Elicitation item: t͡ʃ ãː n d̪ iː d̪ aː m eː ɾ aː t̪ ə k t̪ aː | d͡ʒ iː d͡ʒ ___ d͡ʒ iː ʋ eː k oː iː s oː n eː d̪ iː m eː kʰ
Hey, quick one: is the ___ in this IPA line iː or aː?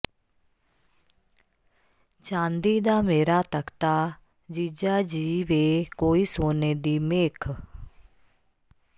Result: aː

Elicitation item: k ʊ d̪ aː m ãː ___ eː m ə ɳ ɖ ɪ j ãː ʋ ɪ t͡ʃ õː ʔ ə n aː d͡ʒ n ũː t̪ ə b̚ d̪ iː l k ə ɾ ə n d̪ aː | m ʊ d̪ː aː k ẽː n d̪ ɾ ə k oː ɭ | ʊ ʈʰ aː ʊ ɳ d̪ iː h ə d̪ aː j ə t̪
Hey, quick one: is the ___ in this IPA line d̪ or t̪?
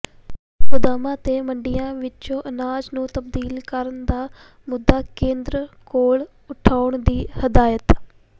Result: t̪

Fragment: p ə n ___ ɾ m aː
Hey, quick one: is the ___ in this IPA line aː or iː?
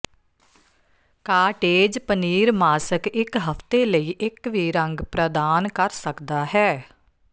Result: iː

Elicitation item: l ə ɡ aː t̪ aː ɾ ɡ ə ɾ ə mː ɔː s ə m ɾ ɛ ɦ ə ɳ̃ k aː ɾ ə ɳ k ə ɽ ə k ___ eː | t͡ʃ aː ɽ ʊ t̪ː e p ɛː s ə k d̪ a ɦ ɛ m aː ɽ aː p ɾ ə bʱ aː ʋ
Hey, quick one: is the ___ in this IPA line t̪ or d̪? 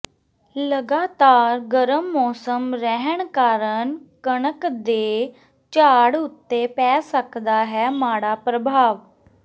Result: d̪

